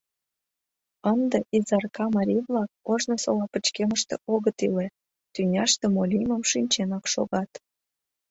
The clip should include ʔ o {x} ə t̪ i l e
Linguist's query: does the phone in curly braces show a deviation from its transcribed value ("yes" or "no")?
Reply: yes